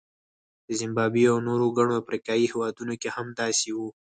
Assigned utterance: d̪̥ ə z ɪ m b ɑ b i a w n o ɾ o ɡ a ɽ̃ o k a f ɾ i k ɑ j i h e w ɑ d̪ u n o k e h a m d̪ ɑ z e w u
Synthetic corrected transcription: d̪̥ ə z ɪ m b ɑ b i a w n o ɾ o ɡ a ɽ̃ o a f ɾ i k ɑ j i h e w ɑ d̪ u n o k e h a m d̪ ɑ s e w u